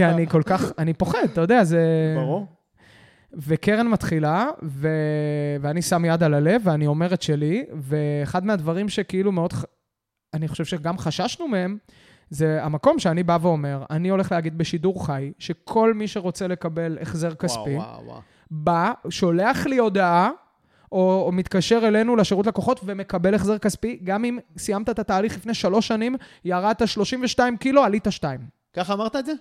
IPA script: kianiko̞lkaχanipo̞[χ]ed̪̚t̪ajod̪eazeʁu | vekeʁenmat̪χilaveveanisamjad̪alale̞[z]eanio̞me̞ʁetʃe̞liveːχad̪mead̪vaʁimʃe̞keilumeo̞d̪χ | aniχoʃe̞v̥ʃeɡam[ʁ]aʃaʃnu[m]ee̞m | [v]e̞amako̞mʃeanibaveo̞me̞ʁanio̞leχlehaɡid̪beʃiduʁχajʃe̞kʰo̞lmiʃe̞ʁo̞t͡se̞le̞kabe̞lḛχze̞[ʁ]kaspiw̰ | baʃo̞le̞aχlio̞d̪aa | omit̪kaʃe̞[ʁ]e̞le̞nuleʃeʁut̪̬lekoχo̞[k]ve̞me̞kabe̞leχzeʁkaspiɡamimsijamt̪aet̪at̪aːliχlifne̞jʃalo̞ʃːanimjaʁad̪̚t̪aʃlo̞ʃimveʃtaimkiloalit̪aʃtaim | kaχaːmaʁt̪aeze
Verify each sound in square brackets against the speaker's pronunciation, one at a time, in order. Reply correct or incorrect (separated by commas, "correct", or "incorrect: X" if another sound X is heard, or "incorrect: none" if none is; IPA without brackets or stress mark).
correct, incorrect: v, incorrect: χ, correct, incorrect: z, correct, correct, incorrect: t